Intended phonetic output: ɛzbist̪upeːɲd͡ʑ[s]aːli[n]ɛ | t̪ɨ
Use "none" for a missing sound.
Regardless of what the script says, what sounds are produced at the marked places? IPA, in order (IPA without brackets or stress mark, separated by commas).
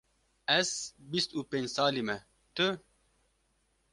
s, m